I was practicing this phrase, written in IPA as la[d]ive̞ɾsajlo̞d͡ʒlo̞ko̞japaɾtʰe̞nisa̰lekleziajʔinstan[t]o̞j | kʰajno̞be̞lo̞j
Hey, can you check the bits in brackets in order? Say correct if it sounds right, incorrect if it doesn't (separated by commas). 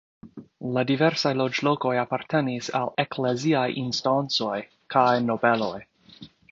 correct, incorrect